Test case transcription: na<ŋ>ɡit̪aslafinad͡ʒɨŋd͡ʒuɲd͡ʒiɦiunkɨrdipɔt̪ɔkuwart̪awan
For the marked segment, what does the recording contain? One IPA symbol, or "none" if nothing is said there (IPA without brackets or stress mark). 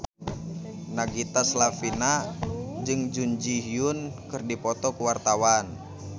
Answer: none